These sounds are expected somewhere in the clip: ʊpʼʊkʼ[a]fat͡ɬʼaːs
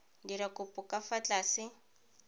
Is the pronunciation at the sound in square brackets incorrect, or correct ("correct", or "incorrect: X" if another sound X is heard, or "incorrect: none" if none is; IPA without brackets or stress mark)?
correct